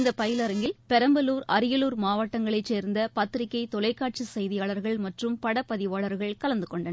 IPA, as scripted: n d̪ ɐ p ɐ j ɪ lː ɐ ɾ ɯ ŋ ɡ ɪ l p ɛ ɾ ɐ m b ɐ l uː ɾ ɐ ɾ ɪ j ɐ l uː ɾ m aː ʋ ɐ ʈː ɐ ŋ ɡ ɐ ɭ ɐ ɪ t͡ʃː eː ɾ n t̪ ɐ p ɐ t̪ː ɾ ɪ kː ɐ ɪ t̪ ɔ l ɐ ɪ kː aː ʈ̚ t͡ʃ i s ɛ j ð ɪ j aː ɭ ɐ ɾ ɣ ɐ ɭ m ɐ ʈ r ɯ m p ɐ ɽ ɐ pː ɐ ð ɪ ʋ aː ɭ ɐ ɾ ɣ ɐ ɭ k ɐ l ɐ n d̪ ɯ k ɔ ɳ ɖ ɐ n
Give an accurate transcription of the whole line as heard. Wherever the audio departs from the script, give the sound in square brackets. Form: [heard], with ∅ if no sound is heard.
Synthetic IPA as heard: n d̪ ɐ p ɐ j ɪ [l] ɐ ɾ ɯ ŋ ɡ ɪ l p ɛ ɾ ɐ m b ɐ l uː ɾ ɐ ɾ ɪ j ɐ l uː ɾ m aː ʋ ɐ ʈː ɐ ŋ ɡ ɐ ɭ ɐ ɪ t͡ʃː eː ɾ n [d̪] ɐ p ɐ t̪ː ɾ ɪ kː ɐ ɪ t̪ ɔ l ɐ ɪ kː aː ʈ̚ t͡ʃ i s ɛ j ð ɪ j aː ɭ ɐ ɾ ɣ ɐ ɭ m ɐ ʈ r ɯ m p ɐ ɽ ɐ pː ɐ ð ɪ ʋ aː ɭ ɐ ɾ ɣ ɐ ɭ k ɐ l ɐ n d̪ ɯ k ɔ ɳ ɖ ɐ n